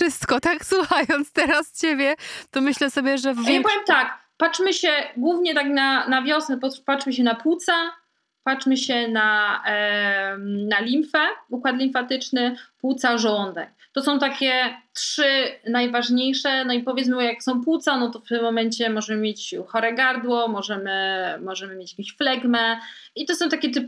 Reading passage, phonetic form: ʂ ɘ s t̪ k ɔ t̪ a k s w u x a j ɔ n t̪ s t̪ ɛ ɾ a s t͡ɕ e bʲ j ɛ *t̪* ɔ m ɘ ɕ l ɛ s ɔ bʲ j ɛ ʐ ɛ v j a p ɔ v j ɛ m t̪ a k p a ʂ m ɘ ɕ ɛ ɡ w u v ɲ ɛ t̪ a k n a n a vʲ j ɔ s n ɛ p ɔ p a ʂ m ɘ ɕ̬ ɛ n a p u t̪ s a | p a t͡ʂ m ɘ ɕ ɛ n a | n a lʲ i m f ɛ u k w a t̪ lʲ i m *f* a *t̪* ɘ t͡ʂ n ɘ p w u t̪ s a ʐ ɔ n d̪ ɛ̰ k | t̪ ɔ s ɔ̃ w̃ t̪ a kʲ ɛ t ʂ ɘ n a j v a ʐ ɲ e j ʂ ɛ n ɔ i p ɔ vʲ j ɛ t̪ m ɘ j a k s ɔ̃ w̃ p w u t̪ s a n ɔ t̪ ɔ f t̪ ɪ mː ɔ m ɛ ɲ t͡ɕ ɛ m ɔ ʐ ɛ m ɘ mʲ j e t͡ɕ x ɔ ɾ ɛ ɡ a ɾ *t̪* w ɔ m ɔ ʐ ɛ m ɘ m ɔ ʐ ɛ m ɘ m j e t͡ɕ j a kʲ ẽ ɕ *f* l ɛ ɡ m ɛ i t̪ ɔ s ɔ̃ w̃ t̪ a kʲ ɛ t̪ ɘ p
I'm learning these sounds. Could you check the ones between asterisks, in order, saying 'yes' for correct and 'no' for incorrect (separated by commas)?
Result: yes, yes, yes, no, yes